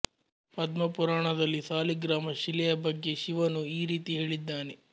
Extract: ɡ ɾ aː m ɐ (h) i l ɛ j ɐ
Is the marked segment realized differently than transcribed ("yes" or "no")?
yes